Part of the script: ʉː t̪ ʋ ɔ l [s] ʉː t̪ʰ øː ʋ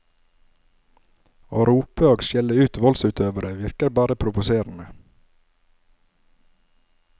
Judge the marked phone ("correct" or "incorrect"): correct